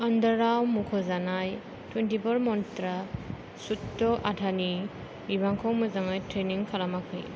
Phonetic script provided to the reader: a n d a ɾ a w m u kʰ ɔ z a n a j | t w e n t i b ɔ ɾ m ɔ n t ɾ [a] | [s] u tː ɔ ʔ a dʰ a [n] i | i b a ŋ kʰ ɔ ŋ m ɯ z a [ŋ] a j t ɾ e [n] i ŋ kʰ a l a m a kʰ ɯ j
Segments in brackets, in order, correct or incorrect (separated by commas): correct, correct, correct, correct, correct